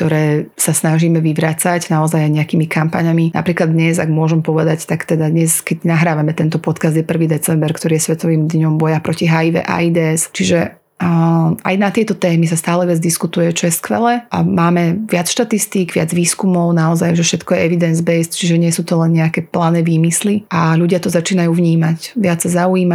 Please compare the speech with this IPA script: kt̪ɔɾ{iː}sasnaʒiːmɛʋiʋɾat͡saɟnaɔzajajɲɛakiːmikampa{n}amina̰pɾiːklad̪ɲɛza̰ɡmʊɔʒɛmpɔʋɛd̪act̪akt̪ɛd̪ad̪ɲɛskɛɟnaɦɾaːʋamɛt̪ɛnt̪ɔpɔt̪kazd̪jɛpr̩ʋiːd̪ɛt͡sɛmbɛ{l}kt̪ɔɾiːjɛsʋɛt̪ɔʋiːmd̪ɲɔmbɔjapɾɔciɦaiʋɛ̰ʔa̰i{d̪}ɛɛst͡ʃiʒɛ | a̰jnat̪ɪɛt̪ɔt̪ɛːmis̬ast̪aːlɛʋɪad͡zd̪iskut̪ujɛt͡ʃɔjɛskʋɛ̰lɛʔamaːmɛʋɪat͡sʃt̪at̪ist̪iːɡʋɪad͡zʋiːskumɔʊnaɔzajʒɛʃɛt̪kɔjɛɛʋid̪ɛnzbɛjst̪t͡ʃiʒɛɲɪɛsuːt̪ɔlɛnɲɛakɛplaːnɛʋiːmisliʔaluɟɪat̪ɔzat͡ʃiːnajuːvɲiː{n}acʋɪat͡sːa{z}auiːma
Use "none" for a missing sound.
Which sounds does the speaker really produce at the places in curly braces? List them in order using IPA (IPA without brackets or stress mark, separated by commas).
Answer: ɛː, ɲ, ɾ, d̪, m, z